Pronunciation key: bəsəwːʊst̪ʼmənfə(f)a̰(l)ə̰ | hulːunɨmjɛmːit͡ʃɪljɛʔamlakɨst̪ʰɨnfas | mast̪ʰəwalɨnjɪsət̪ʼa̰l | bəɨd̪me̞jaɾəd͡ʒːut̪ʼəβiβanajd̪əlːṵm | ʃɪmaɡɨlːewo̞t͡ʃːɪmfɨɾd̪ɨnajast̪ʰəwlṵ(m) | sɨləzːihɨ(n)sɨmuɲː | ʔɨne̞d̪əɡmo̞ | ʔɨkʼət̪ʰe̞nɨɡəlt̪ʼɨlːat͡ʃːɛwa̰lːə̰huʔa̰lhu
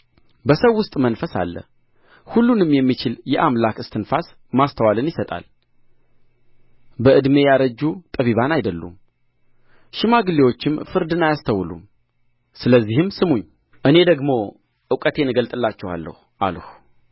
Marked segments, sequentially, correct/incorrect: incorrect: s, incorrect: lː, correct, incorrect: m

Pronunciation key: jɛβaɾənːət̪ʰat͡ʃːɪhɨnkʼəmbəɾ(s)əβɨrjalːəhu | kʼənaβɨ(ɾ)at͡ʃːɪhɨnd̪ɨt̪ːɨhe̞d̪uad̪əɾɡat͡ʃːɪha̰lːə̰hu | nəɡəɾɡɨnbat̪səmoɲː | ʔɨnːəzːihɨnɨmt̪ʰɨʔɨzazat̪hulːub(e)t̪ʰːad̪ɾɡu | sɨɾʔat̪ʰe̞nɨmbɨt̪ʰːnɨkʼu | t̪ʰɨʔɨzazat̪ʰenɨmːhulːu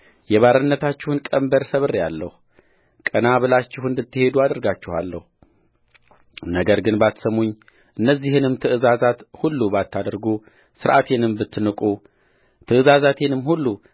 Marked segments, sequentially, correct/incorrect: correct, incorrect: l, incorrect: a

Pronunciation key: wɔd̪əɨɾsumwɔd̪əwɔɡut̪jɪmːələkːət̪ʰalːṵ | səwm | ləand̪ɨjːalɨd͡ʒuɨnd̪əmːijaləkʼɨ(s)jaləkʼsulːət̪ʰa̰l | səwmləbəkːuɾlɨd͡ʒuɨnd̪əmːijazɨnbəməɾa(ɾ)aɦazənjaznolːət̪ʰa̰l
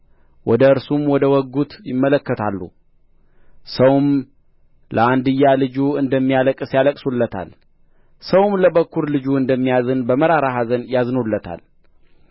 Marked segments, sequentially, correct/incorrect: correct, correct

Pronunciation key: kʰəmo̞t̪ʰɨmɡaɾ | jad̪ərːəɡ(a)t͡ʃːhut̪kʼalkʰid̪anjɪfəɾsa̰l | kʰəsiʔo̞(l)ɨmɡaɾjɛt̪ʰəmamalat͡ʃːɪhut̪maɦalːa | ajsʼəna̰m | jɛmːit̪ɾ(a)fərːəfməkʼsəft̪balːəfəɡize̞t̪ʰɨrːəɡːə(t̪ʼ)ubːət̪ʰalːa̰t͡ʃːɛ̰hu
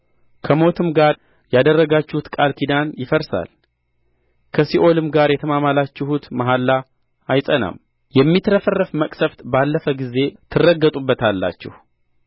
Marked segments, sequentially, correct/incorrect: correct, correct, incorrect: ə, correct

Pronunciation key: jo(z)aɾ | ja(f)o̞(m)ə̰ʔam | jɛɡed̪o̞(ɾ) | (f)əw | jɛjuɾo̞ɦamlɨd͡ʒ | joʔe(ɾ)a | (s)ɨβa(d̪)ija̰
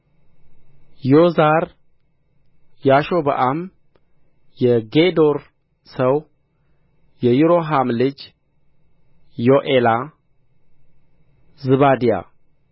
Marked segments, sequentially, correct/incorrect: correct, incorrect: ʃ, incorrect: b, correct, incorrect: s, incorrect: l, incorrect: z, correct

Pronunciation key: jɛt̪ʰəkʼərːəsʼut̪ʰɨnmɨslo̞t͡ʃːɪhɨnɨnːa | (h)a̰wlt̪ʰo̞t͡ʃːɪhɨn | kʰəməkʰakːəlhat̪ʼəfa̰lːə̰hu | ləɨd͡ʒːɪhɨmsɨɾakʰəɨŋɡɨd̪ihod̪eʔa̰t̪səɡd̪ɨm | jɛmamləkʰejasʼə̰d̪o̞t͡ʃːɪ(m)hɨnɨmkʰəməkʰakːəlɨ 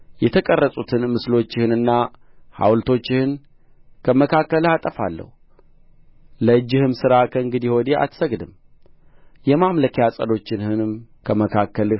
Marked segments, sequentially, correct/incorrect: correct, incorrect: n

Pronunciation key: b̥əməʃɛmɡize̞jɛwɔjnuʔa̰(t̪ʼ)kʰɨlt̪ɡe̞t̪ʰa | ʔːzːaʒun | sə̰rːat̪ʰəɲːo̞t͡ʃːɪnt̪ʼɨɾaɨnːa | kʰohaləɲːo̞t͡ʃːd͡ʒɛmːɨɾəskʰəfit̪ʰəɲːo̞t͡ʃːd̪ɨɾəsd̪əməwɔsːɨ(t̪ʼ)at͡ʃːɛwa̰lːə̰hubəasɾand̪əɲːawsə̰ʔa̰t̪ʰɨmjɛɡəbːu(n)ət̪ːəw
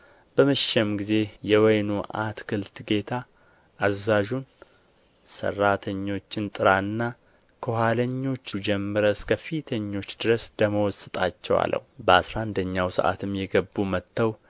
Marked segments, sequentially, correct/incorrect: incorrect: t̪, correct, incorrect: m

